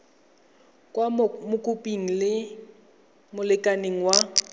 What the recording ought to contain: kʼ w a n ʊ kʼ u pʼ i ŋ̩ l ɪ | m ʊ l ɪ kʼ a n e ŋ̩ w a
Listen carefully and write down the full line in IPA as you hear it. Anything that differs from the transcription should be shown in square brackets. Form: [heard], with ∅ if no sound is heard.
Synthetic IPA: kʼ w a [m] ʊ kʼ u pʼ i ŋ̩ l ɪ | m ʊ l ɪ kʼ a n e ŋ̩ w a